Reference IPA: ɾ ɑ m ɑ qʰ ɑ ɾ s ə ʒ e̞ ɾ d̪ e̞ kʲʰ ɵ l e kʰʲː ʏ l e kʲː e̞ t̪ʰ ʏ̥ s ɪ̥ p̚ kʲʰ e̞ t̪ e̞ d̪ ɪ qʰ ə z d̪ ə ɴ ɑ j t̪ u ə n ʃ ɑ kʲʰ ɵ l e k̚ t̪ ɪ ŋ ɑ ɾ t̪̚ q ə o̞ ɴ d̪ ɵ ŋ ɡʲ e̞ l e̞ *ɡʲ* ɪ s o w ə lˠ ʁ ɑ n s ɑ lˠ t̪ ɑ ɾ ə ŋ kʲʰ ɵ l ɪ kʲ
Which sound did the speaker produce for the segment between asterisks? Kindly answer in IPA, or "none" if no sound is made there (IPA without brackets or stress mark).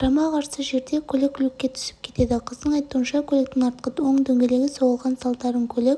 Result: ɡʲ